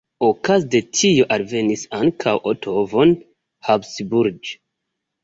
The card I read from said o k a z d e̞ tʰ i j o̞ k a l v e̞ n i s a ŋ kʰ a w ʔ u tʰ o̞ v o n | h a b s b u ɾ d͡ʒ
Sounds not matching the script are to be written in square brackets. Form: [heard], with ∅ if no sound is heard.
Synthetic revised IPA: o k a z d e̞ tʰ i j o̞ [ʔ] a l v e̞ n i s a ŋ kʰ a w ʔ [o] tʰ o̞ v o n | h a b s b u ɾ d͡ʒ